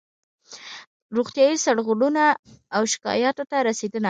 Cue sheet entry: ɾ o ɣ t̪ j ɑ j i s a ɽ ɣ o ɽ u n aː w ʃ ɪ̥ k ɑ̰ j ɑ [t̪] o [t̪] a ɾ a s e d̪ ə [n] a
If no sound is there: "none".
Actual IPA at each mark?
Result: t̪, t̪, n

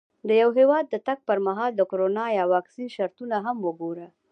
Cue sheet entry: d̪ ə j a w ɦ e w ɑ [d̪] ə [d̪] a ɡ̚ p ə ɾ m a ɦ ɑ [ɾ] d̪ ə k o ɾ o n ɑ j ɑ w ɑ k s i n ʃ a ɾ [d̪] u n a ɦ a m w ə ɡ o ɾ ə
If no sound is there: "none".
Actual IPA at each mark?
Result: d̪ː, t̪, l, t̪

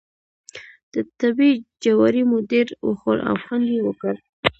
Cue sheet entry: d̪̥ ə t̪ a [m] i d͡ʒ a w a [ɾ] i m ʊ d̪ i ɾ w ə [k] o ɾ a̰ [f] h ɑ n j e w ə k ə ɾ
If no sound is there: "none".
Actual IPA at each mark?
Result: b, ɾ, x, f

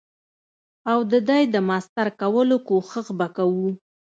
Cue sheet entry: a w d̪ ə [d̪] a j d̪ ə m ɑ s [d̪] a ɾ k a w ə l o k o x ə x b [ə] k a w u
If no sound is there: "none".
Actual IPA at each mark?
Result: d̪, t̪, a

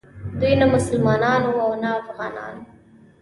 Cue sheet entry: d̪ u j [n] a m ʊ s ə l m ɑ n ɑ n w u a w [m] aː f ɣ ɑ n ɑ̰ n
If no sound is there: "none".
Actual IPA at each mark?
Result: n, n

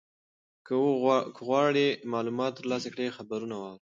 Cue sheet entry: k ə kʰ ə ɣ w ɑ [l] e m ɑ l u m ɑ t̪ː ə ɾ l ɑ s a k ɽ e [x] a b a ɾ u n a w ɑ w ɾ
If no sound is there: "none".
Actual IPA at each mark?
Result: ɽ, x

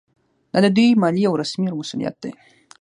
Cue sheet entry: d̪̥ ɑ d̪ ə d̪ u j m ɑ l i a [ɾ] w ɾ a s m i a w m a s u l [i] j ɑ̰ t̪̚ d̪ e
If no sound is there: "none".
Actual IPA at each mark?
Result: none, i

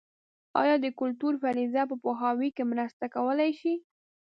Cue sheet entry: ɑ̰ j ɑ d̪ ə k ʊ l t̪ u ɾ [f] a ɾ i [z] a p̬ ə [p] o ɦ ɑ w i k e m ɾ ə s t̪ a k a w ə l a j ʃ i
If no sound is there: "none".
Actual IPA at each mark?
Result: f, z, p

